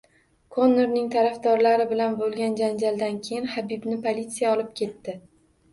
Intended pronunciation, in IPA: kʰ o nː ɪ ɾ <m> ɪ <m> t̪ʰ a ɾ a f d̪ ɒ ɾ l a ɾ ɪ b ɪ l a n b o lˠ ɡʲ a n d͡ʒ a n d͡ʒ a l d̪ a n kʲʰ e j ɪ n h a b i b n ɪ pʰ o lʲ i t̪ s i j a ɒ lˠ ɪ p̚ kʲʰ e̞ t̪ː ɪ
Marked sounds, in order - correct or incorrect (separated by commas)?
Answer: incorrect, incorrect